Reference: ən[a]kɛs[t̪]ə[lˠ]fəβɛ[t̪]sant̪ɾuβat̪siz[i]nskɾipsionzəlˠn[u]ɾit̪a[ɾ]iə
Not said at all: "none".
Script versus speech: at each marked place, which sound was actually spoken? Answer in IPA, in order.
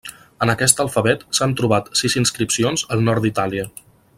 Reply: ə, t̪, lˠ, t̪, i, ɔ, l

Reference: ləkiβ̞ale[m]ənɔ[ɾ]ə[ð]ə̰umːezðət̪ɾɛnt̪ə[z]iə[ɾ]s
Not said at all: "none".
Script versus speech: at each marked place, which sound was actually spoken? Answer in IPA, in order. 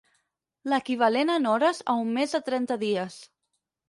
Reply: n, ɾ, z, ð, none

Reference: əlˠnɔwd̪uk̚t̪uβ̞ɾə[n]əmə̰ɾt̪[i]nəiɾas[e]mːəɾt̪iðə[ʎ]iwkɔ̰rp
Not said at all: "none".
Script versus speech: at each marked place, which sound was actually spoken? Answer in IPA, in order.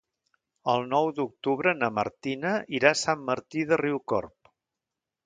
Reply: n, i, a, r

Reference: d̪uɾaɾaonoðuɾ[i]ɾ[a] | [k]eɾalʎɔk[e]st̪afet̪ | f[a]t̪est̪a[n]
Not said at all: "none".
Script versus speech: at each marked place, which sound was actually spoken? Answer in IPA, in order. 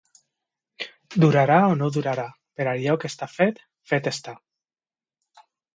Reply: a, a, p, e, e, none

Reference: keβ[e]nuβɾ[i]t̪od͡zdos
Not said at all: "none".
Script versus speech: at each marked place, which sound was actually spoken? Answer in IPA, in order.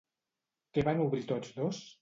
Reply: a, i

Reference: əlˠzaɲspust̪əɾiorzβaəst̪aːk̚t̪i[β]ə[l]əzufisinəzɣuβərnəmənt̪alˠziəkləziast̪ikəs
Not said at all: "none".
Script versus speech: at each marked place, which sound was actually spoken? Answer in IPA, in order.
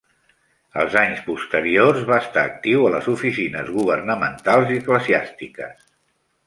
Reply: w, l

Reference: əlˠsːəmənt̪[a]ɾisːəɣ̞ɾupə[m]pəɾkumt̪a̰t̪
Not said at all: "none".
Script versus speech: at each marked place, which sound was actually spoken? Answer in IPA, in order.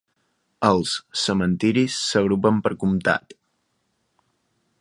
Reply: i, m

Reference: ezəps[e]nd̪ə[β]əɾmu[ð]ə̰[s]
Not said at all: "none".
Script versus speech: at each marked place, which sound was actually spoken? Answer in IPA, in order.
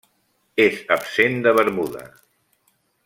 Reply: e, β, ð, none

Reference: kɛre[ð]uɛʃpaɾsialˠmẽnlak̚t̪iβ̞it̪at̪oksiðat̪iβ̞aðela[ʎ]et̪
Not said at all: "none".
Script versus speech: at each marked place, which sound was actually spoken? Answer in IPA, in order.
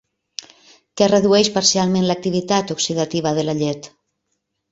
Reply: ð, ʎ

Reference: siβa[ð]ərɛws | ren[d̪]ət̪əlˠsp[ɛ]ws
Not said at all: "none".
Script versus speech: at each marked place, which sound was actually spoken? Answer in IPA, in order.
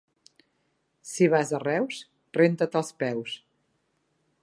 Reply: z, t̪, ɛ

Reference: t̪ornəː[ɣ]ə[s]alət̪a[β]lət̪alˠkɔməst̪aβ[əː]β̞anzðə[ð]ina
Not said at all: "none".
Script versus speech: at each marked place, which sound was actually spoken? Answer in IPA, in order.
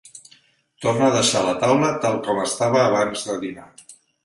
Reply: ð, ʃ, w, əː, ð

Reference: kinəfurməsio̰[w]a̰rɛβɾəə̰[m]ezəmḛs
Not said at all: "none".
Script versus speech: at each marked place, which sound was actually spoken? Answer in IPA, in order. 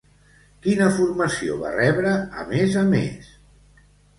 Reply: β, m

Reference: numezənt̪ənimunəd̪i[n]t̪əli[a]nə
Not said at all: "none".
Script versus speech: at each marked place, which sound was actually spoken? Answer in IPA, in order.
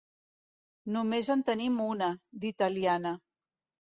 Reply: none, a

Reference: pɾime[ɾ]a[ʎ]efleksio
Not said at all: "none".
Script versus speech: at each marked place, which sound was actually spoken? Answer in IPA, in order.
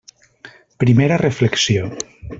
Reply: ɾ, r

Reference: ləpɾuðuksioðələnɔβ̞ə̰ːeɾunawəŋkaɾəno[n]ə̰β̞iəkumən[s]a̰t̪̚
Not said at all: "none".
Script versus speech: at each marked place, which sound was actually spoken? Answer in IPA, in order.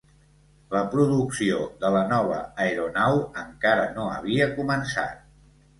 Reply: none, s

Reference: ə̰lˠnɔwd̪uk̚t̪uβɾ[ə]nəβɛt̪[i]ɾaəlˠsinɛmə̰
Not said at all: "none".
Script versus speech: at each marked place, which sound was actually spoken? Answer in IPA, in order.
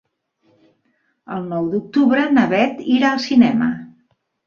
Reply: ə, i

